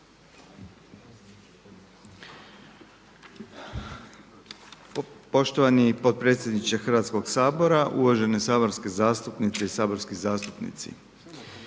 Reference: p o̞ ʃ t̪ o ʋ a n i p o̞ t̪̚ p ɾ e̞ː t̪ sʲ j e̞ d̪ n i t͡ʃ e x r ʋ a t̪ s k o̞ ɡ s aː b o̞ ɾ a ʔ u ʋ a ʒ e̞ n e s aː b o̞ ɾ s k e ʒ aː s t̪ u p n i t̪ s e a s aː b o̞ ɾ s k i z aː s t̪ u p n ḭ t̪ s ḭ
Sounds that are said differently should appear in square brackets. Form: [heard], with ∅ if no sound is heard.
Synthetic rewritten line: p o̞ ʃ t̪ o ʋ a n i p o̞ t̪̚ p ɾ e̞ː t̪ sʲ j e̞ d̪ n i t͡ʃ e x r ʋ a t̪ s k o̞ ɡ s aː b o̞ ɾ a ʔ u ʋ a ʒ e̞ n e s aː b o̞ ɾ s k e [z] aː s t̪ u p n i t̪ s e [i] s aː b o̞ ɾ s k i z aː s t̪ u p n ḭ t̪ s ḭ